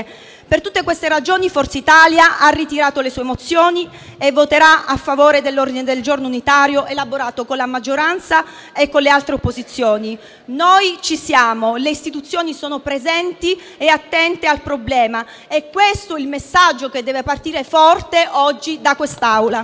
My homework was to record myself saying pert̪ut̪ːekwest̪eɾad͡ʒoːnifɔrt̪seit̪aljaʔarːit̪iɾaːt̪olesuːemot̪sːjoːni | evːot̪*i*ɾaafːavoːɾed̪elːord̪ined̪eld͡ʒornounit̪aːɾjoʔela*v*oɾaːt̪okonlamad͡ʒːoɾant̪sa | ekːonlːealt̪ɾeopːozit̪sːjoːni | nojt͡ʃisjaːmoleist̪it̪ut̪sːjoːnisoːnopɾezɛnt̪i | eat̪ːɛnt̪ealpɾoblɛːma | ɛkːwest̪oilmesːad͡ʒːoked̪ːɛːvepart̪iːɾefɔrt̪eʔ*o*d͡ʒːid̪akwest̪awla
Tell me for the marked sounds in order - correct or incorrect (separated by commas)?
incorrect, incorrect, incorrect